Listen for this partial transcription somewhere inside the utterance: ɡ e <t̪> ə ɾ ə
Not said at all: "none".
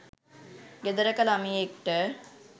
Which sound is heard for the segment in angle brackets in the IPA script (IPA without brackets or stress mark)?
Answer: d̪